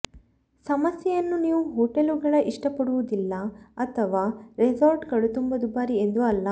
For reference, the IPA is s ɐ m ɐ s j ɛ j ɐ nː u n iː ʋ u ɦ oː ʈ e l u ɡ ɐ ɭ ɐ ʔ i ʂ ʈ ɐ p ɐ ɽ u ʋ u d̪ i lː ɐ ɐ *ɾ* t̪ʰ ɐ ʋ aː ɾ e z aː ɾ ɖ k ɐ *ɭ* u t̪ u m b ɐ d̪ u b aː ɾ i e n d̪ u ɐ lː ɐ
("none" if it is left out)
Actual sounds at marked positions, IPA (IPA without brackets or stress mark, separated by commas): none, ɭ